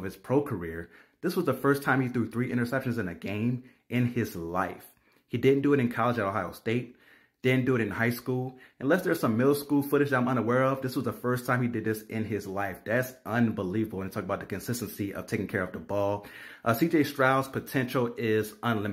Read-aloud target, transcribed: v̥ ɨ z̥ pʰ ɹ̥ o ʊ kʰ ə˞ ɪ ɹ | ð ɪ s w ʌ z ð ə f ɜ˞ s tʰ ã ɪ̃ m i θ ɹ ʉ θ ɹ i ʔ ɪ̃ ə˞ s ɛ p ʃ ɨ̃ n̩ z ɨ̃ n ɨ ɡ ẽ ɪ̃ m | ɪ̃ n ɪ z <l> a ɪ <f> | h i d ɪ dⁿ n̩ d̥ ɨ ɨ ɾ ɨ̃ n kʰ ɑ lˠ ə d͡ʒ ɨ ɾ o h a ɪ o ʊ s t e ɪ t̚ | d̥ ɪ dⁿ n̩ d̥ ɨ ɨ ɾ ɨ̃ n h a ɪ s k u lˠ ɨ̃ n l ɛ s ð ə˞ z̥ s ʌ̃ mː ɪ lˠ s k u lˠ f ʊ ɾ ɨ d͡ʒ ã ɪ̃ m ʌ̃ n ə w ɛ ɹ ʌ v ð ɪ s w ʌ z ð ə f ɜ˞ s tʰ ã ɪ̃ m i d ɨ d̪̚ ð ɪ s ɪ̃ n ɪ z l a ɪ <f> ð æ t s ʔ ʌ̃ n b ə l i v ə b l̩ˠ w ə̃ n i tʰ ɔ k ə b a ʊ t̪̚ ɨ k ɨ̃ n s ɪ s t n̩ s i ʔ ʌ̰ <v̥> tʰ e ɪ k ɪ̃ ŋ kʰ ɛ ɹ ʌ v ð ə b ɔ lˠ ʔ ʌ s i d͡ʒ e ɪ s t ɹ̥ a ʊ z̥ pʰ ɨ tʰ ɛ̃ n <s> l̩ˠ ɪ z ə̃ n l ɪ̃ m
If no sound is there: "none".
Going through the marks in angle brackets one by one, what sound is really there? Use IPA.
l, f, f, v̥, ʃ

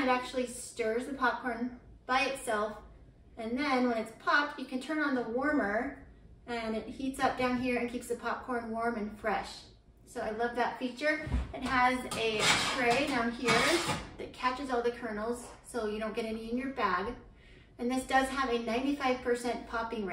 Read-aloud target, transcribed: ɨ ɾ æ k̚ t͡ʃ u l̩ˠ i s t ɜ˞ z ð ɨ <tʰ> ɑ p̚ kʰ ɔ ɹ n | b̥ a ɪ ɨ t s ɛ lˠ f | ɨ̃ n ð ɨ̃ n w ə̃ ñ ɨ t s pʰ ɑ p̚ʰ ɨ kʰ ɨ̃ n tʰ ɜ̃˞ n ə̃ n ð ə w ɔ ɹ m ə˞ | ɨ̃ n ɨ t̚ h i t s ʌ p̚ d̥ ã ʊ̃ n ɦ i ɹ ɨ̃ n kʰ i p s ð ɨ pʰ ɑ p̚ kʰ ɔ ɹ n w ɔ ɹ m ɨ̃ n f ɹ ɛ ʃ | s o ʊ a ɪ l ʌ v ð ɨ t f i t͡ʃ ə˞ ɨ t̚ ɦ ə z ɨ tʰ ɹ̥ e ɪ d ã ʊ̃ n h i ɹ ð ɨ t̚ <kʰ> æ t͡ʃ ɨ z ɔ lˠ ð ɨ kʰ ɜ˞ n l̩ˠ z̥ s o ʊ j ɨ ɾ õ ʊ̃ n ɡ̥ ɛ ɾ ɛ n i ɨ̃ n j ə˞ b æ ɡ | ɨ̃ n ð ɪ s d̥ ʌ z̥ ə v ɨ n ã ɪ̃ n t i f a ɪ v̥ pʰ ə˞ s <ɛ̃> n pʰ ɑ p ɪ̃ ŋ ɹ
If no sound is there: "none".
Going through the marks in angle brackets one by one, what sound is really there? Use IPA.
pʰ, kʰ, ɛ̃

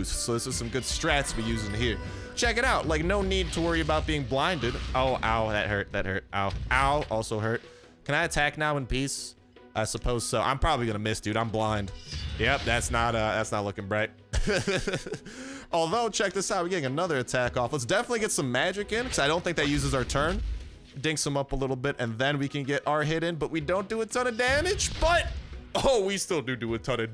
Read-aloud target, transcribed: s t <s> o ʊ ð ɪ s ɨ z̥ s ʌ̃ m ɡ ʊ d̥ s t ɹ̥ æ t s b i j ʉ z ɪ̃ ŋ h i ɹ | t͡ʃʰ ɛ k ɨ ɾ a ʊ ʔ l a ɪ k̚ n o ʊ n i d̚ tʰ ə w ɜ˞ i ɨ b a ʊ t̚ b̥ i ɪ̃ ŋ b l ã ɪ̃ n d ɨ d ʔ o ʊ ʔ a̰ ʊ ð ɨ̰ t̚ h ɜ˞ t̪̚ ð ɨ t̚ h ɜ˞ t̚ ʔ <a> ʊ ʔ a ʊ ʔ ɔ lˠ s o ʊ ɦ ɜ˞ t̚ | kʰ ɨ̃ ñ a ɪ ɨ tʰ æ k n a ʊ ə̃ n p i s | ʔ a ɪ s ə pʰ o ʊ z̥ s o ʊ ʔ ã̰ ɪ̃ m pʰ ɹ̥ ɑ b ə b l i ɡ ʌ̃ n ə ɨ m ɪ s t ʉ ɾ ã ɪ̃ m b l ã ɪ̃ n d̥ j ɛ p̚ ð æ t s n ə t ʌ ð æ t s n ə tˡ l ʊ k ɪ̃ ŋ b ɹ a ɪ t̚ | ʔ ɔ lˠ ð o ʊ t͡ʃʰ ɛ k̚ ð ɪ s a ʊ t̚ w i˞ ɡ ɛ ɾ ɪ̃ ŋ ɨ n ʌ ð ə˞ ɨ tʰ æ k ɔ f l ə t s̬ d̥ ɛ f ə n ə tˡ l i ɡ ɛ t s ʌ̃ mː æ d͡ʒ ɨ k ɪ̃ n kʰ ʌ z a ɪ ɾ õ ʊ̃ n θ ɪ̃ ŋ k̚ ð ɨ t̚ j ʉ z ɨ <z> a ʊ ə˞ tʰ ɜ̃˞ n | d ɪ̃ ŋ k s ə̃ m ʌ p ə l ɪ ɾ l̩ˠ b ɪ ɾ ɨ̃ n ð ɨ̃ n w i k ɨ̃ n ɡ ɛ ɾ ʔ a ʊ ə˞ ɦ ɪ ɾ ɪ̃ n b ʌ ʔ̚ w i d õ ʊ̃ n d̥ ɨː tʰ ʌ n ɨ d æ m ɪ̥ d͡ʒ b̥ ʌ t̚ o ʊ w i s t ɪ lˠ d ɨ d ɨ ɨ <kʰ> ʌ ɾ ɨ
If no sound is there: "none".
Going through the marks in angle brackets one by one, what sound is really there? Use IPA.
s, a, z, tʰ

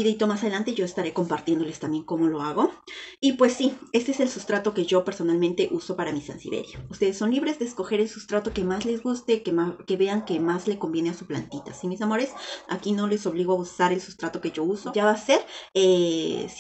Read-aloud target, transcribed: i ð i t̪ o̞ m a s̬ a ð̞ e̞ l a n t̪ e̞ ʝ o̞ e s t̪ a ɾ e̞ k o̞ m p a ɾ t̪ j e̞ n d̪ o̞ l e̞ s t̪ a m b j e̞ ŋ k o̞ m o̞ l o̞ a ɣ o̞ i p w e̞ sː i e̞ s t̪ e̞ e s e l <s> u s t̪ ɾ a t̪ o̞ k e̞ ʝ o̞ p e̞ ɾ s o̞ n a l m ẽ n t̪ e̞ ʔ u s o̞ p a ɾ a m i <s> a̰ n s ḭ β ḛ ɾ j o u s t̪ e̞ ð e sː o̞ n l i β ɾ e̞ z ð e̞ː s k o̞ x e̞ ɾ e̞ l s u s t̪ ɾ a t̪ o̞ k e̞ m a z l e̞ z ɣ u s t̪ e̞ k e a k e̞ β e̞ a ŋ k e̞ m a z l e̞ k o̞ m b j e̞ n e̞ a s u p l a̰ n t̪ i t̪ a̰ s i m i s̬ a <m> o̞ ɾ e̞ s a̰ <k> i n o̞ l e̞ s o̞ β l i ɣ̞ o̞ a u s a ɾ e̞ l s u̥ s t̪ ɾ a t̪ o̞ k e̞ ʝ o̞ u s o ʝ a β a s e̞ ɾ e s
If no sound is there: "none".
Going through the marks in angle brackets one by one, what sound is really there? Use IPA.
s, s, m, k

